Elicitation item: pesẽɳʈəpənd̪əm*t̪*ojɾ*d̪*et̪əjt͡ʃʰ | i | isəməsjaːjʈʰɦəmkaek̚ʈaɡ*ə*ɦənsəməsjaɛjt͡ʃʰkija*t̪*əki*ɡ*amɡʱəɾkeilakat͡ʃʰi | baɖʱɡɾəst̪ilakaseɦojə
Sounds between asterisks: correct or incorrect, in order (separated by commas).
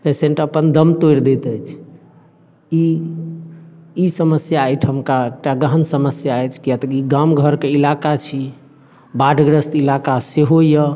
correct, correct, correct, correct, correct